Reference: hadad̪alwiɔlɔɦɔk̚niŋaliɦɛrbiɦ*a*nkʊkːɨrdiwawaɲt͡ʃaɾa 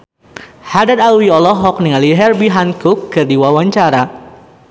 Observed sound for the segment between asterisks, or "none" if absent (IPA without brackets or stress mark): a